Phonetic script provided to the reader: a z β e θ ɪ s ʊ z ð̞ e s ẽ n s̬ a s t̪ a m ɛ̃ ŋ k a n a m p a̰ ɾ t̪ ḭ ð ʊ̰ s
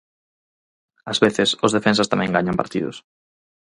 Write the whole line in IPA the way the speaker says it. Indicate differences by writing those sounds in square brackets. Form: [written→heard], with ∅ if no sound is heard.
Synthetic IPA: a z β e θ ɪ s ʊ z ð̞ e [s→f] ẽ n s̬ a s t̪ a m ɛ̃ ŋ [k→ɡ] a [n→ɲ] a m p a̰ ɾ t̪ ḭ ð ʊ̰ s